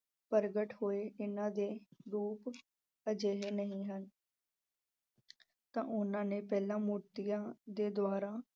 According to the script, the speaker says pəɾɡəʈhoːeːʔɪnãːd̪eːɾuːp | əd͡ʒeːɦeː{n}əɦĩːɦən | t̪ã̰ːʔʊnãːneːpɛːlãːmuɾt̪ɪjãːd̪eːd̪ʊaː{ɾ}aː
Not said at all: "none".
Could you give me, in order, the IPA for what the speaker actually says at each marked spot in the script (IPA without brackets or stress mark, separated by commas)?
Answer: n, ɾ